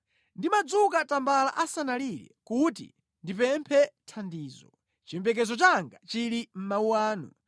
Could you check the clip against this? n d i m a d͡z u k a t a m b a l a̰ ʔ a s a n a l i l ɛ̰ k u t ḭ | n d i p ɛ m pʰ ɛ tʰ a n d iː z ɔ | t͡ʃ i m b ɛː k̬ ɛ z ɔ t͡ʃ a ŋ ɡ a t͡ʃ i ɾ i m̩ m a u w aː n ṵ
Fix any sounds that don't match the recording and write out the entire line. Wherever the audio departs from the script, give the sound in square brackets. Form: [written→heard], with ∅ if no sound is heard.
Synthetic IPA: n d i m a d͡z u k a t a m b a l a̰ ʔ a s a n a l i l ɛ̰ k u t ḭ | n d i p ɛ m pʰ ɛ tʰ a n d iː z ɔ | t͡ʃ i m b [ɛː→ɛ] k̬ ɛ z ɔ t͡ʃ a ŋ ɡ a t͡ʃ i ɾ i m̩ m a u w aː n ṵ